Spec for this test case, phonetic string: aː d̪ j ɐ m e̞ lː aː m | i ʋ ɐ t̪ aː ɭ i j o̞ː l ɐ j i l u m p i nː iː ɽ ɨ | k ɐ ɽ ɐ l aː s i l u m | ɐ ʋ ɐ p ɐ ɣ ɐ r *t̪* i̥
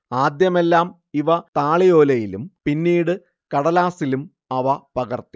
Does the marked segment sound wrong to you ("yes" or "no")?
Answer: no